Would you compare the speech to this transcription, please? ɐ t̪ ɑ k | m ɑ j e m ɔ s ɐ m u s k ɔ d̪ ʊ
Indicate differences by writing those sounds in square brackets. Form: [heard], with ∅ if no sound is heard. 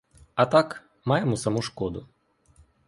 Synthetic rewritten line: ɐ t̪ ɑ k | m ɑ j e m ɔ s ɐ m u [ʃ] k ɔ d̪ ʊ

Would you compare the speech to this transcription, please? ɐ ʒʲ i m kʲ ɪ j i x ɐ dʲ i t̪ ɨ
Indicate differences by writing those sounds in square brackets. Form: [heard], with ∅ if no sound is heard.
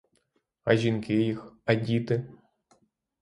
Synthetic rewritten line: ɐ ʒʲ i [n] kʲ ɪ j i x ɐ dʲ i t̪ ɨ

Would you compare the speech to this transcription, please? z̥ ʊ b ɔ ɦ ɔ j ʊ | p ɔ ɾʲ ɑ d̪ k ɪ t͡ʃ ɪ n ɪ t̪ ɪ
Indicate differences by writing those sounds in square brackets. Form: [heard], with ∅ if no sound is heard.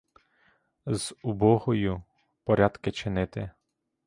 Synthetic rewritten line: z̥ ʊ b ɔ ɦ ɔ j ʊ | p ɔ ɾʲ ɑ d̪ k ɪ t͡ʃ ɪ n ɪ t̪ ɪ

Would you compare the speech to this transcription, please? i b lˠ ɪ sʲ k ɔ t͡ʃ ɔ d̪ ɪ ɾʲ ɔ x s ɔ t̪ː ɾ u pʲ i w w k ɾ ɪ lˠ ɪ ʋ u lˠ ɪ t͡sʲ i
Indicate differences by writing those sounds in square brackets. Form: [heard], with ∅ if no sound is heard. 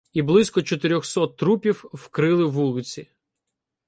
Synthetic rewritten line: i b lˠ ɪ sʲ k ɔ t͡ʃ ɔ [t̪] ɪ ɾʲ ɔ x s ɔ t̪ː ɾ u pʲ i w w k ɾ ɪ lˠ ɪ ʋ u lˠ ɪ t͡sʲ i

